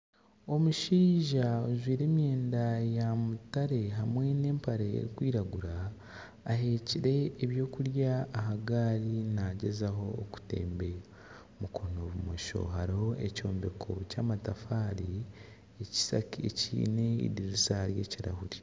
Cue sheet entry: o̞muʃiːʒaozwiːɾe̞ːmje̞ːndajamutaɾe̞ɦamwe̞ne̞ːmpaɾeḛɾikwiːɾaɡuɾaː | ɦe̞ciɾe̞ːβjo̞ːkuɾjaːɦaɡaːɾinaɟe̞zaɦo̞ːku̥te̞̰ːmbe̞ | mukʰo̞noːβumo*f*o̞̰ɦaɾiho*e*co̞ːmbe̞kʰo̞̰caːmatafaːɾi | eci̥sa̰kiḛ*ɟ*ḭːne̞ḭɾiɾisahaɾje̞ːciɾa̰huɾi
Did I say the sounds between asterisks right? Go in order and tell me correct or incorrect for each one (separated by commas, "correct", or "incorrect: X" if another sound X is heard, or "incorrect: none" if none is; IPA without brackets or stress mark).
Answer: incorrect: ʃ, correct, incorrect: c